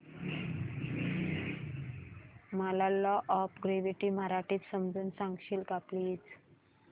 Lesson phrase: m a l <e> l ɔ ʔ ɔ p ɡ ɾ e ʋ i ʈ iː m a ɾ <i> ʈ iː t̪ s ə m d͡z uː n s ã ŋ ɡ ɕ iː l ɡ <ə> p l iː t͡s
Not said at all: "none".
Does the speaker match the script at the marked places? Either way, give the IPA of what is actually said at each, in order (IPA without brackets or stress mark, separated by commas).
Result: a, a, a